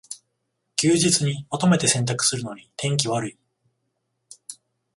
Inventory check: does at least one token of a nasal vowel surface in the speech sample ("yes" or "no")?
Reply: yes